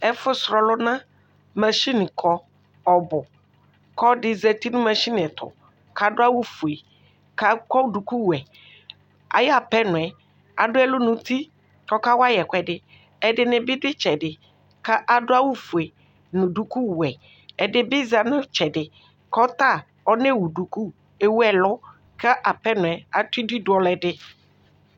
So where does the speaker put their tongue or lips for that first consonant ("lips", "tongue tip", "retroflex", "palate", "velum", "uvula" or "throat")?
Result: lips